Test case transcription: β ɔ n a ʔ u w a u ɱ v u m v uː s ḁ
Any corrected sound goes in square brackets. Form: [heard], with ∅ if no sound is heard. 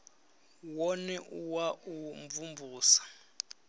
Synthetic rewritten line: [w] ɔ n [ɛ] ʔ u w a u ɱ v u m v uː s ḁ